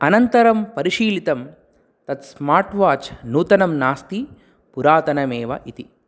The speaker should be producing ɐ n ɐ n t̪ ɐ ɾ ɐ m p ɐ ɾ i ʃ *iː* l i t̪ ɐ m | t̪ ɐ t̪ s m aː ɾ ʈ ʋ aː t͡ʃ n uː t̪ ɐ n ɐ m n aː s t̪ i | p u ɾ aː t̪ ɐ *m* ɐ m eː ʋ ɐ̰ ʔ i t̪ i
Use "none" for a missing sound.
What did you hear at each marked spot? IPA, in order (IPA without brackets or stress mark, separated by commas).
iː, n